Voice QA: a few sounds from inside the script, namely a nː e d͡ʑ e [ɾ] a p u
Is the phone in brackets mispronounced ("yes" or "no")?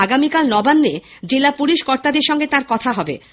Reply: yes